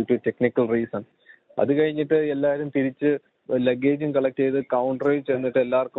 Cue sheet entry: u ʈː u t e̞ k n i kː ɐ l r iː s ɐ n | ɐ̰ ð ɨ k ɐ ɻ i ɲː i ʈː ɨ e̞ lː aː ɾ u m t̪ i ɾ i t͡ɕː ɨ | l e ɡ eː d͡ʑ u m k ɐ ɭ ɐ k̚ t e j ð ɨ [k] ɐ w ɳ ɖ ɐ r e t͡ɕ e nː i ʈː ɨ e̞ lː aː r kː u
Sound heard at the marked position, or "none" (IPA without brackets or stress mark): k